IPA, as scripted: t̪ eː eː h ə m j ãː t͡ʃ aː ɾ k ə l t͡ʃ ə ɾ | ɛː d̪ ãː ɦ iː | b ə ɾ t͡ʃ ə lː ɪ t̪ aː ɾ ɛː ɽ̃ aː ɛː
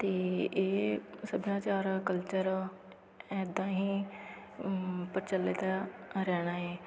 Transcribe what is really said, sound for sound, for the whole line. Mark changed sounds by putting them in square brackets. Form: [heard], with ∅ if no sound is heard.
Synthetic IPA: t̪ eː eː [s] ə [b] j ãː t͡ʃ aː ɾ k ə l t͡ʃ ə ɾ | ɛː d̪ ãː ɦ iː | [p] ə ɾ t͡ʃ ə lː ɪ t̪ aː ɾ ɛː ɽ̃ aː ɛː